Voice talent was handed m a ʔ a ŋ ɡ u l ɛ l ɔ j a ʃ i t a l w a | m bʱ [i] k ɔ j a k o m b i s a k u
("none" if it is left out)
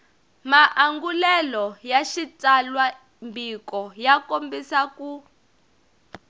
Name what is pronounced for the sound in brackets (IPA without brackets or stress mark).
i